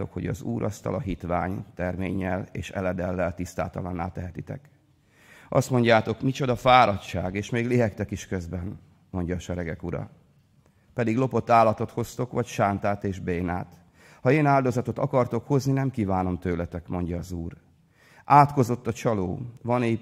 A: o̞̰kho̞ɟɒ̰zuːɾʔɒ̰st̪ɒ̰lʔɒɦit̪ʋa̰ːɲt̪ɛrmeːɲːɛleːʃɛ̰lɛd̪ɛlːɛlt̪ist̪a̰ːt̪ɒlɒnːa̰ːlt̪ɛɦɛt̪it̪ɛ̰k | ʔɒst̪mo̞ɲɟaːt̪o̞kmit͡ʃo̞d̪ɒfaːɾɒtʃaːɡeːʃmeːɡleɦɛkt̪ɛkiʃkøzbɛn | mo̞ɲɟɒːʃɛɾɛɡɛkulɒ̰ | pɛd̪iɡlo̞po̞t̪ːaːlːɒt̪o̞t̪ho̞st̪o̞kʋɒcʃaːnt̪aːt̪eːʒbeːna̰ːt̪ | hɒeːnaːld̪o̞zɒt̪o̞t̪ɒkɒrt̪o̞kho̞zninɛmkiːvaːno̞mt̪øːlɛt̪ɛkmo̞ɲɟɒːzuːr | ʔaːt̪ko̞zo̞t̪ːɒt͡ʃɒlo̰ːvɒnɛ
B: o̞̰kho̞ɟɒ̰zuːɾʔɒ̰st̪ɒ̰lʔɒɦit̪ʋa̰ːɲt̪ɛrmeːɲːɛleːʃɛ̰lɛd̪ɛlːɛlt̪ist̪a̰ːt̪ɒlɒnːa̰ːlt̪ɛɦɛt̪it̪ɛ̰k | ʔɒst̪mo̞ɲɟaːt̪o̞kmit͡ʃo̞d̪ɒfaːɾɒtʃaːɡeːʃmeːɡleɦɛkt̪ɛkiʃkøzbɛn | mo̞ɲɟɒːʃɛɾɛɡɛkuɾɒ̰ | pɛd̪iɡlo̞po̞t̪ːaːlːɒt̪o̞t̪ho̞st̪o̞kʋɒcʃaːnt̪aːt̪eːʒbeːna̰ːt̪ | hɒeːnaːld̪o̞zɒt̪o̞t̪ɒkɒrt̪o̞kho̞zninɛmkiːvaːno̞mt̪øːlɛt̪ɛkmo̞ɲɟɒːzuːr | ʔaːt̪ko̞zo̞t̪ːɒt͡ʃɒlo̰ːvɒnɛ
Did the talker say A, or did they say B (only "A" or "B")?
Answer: B